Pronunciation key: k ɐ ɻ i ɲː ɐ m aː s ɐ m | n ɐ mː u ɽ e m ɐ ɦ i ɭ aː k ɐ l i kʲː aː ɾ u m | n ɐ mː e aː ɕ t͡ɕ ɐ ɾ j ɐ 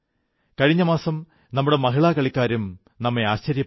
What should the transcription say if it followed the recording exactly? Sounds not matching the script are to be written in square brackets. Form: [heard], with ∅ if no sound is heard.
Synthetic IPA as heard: k ɐ ɻ i ɲː ɐ m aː s ɐ m | n ɐ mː u ɽ e m ɐ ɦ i ɭ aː k ɐ [ɭ] i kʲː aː ɾ u m | n ɐ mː e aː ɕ t͡ɕ ɐ ɾ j ɐ